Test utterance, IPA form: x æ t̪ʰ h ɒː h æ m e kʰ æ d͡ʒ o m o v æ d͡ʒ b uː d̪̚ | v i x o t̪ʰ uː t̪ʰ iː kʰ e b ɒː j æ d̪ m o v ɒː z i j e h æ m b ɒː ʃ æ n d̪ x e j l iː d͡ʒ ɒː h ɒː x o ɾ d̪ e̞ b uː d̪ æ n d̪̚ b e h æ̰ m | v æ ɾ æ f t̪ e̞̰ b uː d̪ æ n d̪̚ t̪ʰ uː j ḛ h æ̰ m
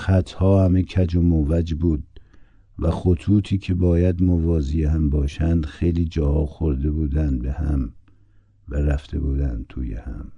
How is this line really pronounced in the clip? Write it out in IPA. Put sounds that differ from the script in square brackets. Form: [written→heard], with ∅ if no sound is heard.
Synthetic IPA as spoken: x æ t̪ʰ h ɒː h æ m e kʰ æ d͡ʒ o m o v æ d͡ʒ b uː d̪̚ | v [i→æ] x o t̪ʰ uː t̪ʰ iː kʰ e b ɒː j æ d̪ m o v ɒː z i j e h æ m b ɒː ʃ æ n d̪ x e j l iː d͡ʒ ɒː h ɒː x o ɾ d̪ e̞ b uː d̪ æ n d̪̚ b e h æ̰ m | v æ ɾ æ f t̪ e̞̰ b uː d̪ æ n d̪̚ t̪ʰ uː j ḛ h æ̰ m